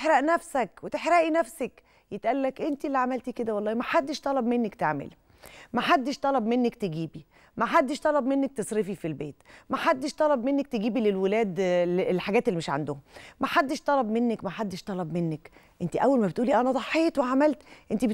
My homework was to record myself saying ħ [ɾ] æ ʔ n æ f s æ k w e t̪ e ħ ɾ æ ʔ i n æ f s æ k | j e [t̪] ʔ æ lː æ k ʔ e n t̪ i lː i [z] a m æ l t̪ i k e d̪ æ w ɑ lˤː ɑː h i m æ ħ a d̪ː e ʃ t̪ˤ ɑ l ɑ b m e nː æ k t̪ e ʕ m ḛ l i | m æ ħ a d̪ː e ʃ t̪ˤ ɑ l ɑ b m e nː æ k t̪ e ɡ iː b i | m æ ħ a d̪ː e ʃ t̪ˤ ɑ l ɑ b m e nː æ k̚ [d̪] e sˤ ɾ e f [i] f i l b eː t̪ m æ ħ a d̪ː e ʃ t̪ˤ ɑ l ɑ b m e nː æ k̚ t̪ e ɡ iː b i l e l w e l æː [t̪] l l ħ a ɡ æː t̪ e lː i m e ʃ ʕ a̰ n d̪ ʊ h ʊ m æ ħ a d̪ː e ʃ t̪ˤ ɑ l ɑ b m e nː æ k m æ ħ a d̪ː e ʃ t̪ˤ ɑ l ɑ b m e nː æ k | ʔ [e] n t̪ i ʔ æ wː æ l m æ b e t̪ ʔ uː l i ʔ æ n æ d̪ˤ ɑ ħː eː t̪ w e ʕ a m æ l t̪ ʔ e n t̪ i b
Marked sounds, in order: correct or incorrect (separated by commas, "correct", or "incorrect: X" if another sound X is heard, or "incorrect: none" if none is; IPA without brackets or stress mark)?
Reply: correct, correct, incorrect: ʕ, incorrect: t̪, correct, incorrect: d̪, correct